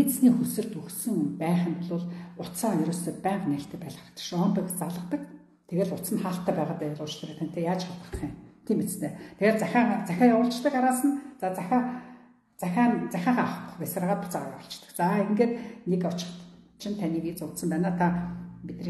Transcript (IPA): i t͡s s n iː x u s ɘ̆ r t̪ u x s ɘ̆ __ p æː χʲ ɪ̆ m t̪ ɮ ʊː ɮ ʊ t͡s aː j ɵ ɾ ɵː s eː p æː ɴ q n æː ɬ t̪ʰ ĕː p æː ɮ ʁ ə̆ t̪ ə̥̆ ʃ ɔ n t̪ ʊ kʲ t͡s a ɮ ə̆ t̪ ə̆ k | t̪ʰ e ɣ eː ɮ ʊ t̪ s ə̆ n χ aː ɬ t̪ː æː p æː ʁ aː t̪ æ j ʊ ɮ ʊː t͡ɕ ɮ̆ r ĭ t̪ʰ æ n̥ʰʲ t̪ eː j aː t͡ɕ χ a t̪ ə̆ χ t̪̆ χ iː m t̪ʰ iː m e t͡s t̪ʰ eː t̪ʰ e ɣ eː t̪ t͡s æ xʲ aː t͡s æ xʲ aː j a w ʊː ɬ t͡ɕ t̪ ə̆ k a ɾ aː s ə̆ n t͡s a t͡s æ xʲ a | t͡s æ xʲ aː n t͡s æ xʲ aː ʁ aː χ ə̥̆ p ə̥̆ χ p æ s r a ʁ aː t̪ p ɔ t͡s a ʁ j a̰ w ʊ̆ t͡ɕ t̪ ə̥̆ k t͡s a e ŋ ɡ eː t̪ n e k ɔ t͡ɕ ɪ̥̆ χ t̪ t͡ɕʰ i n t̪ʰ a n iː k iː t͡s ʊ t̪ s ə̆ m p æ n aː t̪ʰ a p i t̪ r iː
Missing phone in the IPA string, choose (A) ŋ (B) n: A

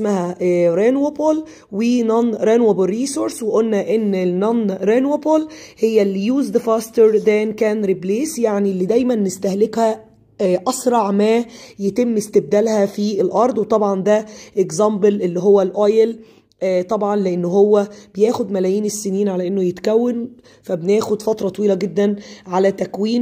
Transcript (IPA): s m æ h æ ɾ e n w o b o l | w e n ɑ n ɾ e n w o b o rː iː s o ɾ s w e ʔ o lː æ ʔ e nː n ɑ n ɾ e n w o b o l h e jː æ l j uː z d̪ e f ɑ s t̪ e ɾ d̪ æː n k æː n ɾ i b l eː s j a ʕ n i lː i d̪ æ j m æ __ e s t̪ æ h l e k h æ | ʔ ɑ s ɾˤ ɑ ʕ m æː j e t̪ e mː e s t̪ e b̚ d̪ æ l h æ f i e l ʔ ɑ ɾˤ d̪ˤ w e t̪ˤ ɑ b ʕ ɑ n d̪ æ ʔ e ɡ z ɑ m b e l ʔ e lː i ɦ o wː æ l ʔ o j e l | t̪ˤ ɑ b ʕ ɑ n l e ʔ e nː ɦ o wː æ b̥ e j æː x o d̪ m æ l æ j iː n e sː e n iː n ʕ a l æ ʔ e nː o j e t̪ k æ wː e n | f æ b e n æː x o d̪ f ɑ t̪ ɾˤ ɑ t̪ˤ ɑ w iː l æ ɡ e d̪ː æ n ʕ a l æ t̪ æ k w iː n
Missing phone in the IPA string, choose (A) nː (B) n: A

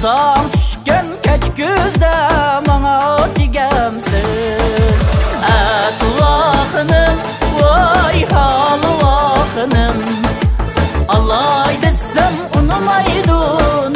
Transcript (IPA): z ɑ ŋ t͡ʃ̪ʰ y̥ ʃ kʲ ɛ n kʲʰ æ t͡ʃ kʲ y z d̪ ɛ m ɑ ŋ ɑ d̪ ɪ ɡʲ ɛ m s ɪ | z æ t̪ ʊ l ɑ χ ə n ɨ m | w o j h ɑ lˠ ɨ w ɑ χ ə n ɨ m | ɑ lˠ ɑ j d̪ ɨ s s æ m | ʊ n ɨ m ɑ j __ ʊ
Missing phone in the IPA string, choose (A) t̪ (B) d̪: B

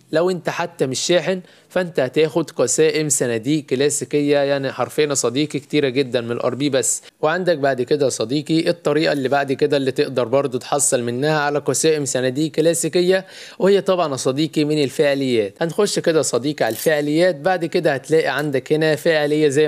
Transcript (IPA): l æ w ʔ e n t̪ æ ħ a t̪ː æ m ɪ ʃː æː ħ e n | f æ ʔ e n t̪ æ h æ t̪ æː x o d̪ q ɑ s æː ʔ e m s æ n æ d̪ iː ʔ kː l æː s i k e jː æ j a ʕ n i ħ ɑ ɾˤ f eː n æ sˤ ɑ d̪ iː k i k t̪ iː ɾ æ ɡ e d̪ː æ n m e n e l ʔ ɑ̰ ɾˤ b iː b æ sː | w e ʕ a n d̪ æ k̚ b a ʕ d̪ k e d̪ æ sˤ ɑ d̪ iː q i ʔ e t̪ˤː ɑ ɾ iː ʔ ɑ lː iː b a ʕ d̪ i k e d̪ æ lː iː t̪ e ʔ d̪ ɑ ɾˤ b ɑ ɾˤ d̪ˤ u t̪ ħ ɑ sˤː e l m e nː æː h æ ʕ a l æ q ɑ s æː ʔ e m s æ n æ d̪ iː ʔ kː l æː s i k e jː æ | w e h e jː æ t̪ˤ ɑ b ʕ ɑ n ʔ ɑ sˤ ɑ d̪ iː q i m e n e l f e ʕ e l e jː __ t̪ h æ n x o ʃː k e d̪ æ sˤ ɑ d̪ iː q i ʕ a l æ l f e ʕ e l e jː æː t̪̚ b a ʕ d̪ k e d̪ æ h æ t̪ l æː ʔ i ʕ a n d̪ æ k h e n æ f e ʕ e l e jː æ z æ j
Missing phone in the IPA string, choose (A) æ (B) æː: B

